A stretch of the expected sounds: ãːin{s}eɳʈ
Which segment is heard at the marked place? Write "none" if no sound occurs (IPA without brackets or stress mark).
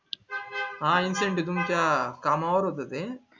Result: s